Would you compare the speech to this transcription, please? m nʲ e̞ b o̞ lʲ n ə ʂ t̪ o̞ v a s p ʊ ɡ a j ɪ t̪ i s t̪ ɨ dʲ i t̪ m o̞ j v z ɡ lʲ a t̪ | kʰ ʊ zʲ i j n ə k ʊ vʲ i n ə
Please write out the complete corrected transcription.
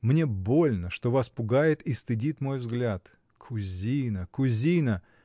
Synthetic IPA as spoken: m nʲ e̞ b o̞ lʲ n ə ʂ t̪ o̞ v a s p ʊ ɡ a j ɪ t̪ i s t̪ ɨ dʲ i t̪ m o̞ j v z ɡ lʲ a t̪ | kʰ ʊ zʲ i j n ə k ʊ zʲ i n ə